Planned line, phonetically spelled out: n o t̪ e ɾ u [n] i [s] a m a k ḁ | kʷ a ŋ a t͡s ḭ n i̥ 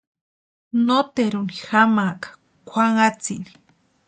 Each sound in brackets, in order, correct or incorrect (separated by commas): correct, incorrect